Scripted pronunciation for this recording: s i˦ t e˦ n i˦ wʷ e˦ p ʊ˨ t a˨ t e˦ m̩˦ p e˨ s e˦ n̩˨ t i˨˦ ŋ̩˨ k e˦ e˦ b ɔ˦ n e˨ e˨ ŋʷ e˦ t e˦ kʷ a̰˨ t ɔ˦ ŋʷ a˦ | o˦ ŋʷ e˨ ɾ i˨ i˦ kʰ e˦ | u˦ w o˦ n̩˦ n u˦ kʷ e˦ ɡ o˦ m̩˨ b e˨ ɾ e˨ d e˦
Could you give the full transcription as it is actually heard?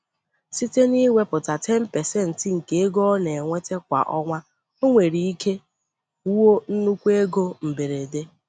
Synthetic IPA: s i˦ t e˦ n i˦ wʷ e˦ p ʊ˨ t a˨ t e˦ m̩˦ p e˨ s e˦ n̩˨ t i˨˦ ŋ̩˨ k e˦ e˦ ɡ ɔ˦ n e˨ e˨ ŋʷ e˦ t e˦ kʷ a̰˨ ʔ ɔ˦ ŋʷ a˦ | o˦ ŋʷ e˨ ɾ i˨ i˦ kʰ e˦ | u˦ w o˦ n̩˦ n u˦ kʷ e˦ ɡ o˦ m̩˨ b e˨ ɾ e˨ d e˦